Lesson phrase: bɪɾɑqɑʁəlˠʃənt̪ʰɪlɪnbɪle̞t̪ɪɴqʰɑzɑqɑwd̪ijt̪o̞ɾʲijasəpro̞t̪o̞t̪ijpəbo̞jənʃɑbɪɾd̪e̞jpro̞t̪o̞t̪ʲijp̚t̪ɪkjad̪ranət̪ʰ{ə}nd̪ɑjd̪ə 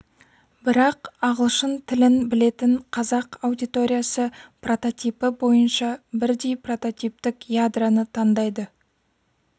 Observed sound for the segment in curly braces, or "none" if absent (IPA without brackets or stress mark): ɑ